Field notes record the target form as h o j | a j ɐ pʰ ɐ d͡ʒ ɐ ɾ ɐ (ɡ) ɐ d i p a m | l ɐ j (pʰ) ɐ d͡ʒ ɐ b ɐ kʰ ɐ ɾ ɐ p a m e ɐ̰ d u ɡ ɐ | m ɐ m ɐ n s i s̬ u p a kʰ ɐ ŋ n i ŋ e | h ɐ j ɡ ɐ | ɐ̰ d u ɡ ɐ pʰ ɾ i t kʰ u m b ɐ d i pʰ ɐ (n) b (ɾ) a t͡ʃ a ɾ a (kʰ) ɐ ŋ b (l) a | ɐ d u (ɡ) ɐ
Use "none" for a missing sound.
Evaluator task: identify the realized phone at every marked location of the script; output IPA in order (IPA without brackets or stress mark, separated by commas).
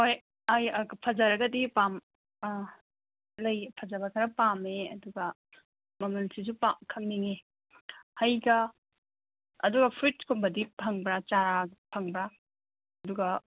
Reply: ɡ, pʰ, ŋ, ɾ, pʰ, ɾ, ɡ